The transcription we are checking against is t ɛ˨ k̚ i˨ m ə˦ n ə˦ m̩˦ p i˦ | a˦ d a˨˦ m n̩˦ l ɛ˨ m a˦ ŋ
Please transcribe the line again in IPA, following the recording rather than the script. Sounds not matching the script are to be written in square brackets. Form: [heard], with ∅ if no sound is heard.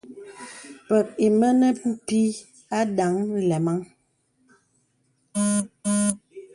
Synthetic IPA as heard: [p] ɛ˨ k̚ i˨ m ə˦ n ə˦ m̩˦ p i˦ | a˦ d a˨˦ [ŋ] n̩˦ l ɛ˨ m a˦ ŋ